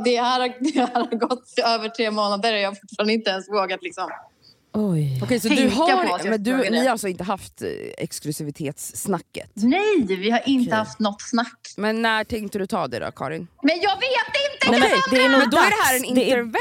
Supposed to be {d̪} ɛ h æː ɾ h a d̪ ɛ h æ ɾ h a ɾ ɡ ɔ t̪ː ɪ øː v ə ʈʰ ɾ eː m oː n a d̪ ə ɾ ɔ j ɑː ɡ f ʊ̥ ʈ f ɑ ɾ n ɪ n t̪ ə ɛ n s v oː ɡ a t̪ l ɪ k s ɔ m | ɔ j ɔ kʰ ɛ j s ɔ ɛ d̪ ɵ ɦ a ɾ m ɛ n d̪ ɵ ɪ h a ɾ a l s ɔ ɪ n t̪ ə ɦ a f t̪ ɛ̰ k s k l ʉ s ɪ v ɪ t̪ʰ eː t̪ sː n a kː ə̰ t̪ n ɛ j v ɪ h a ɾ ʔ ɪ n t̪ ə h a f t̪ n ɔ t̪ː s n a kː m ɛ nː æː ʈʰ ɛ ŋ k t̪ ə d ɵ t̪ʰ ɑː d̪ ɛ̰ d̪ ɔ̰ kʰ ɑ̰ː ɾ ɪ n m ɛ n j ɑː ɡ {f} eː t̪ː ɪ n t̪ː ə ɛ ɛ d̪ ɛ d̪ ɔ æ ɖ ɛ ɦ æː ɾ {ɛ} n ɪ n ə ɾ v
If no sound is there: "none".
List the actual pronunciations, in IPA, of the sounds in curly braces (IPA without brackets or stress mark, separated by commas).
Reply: d̪, v, ɛ